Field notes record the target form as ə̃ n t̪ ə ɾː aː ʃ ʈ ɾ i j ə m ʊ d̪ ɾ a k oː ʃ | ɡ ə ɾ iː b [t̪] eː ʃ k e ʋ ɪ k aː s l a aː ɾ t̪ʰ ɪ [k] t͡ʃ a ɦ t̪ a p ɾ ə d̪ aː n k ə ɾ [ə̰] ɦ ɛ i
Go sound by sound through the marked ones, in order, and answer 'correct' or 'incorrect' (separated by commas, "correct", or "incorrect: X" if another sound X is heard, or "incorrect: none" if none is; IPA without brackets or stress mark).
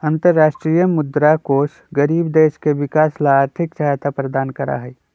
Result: incorrect: d̪, correct, incorrect: a̰